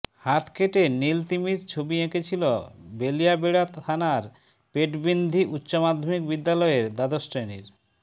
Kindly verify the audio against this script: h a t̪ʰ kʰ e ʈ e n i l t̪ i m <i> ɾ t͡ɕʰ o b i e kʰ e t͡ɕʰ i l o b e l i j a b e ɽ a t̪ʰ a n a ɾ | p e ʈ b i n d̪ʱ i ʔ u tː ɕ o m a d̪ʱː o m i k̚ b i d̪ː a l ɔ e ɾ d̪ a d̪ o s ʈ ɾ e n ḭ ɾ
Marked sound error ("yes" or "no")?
no